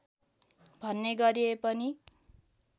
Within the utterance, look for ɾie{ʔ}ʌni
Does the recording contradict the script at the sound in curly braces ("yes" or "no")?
yes